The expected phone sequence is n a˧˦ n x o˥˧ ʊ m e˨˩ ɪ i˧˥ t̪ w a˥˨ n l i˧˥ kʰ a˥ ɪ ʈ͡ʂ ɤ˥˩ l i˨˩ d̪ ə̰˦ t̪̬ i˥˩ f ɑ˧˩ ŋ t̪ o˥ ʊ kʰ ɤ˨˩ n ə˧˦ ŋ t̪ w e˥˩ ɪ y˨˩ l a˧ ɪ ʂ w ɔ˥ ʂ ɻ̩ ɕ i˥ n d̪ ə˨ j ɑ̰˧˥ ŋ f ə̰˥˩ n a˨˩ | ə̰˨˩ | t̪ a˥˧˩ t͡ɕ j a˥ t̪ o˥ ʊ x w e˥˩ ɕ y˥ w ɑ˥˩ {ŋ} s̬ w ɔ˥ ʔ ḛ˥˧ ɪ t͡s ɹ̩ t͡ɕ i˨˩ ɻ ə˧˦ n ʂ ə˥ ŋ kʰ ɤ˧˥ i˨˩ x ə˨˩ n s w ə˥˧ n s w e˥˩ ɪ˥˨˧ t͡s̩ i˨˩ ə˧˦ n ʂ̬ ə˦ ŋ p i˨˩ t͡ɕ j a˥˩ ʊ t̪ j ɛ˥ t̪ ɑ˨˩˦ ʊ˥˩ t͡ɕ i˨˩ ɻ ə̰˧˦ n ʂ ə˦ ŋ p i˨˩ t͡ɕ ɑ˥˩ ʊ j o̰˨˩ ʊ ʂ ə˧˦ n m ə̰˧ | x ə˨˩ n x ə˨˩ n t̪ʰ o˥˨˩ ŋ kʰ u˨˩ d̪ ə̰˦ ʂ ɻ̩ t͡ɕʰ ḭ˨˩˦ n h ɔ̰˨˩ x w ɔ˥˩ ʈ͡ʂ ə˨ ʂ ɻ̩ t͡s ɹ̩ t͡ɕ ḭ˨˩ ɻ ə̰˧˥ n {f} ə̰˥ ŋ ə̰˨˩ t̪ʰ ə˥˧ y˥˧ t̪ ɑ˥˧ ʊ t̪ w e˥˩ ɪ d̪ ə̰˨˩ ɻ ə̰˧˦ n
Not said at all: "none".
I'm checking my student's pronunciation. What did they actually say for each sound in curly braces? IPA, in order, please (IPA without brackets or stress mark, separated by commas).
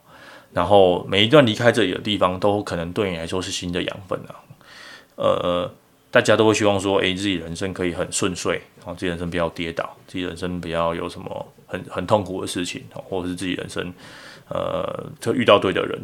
ŋ, ʂ